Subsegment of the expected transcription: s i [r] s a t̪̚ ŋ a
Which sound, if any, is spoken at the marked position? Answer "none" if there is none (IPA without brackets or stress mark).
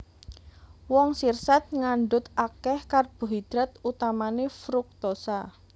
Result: r